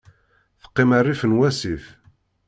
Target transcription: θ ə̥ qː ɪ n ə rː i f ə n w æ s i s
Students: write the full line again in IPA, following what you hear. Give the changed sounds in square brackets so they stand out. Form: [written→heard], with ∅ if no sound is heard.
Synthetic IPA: θ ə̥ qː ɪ [n→m] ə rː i f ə n w æ s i [s→f]